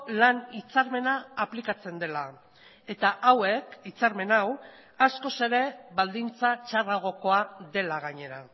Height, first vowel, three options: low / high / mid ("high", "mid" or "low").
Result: low